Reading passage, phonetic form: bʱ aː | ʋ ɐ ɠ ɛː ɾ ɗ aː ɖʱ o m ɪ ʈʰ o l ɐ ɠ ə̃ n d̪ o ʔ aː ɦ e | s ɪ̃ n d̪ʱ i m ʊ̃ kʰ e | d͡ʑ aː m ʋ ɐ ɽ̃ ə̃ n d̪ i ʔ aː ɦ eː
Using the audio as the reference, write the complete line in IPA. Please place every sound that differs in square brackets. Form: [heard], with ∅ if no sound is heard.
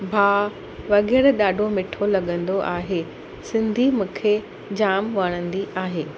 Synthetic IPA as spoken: bʱ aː | ʋ ɐ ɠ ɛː ɾ ɗ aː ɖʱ o m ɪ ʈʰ o l ɐ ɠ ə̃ n d̪ o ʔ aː ɦ e | s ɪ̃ n d̪ʱ i m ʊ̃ kʰ e | d͡ʑ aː m ʋ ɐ ɽ̃ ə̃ n d̪ i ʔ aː ɦ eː